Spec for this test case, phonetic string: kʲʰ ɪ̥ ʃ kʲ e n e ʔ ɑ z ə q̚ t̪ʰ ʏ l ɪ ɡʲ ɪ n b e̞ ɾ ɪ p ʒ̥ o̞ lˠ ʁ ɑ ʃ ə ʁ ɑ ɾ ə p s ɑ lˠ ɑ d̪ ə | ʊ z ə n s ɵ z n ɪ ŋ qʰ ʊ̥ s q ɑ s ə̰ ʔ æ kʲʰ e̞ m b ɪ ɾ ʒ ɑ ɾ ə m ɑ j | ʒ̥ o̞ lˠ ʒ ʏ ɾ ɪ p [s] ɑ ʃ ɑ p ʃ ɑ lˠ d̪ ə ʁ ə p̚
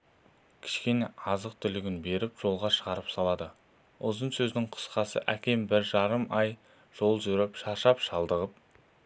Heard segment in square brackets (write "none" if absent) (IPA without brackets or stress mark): ʃ